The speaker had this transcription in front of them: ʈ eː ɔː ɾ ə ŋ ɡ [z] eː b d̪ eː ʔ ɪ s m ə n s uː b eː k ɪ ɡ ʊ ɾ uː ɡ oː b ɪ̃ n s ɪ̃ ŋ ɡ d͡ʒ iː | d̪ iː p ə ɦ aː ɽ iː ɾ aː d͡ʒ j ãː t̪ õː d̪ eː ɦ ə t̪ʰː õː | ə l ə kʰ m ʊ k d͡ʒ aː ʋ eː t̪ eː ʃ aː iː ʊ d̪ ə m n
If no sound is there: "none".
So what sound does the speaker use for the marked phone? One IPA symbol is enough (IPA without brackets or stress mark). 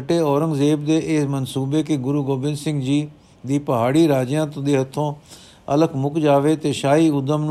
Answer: z